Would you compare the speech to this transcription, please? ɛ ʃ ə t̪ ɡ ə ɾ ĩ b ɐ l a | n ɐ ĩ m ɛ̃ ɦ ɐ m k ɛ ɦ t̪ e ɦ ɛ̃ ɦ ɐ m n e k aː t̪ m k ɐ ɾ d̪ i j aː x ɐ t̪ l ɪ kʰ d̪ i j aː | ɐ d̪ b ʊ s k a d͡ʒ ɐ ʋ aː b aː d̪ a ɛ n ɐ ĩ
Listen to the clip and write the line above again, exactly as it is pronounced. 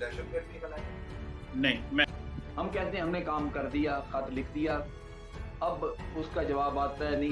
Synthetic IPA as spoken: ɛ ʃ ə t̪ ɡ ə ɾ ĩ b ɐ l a | n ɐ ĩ m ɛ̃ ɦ ɐ m k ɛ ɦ t̪ e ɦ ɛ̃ ɦ ɐ m n e k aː m k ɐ ɾ d̪ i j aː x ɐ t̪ l ɪ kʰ d̪ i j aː | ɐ b ʊ s k a d͡ʒ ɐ ʋ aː b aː t̪ a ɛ n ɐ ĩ